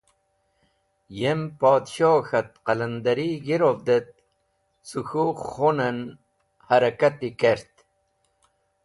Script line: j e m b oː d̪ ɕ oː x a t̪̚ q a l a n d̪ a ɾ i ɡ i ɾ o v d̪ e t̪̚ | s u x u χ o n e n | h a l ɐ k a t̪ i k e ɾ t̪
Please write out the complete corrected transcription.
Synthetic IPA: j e m p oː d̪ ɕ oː x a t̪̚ q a l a n d̪ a ɾ i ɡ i ɾ o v d̪ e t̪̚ | s u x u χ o n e n | h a ɾ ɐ k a t̪ i k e ɾ t̪